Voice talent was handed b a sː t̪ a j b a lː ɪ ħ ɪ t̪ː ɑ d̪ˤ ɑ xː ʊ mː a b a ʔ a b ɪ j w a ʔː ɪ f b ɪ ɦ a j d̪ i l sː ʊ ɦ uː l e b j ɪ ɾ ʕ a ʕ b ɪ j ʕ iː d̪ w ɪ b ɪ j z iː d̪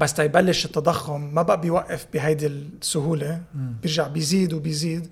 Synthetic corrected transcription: b a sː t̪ a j b a lː ɪ ʃ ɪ t̪ː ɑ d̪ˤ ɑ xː ʊ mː a b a ʔ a b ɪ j w a ʔː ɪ f b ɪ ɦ a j d̪ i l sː ʊ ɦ uː l e b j ɪ ɾ ʒ a ʕ b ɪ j z iː d̪ w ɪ b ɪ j z iː d̪